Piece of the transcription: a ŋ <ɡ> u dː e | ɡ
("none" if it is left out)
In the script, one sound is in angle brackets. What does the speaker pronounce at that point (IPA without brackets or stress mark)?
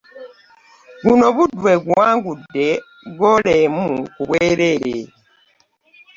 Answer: ɡ